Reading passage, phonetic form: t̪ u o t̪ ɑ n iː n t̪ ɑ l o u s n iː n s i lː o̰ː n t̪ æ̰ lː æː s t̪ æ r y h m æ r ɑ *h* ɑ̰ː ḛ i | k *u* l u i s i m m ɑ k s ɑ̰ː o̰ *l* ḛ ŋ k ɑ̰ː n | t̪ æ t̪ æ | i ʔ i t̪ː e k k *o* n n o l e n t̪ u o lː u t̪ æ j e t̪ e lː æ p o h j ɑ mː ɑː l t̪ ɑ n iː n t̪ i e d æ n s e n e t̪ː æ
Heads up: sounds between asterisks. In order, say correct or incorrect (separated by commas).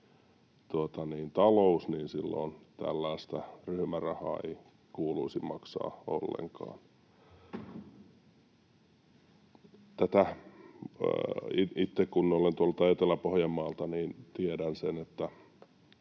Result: correct, incorrect, incorrect, incorrect